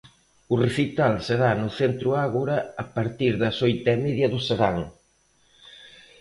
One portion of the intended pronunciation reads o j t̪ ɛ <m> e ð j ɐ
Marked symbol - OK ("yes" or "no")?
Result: yes